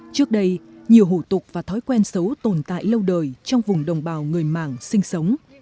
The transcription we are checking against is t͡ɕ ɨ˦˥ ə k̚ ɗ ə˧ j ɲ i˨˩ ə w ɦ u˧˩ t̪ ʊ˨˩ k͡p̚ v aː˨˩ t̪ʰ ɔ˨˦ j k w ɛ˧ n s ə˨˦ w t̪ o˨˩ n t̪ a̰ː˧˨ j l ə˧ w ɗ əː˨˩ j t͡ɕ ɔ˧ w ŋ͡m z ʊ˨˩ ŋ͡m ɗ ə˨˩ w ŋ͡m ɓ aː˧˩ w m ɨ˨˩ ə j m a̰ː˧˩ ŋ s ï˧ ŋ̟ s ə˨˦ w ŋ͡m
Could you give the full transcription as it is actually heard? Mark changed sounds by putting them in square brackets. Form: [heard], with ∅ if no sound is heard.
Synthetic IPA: t͡ɕ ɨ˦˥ ə k̚ ɗ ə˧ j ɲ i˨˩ ə w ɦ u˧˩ t̪ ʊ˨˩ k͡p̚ v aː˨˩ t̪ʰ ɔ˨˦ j k w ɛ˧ n s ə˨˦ w t̪ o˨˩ n t̪ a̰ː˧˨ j l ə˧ w ɗ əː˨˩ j t͡ɕ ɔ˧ w ŋ͡m [v] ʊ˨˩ ŋ͡m ɗ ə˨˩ w ŋ͡m ɓ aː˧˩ w [ŋ] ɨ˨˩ ə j m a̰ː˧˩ ŋ s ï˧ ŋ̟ s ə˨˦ w ŋ͡m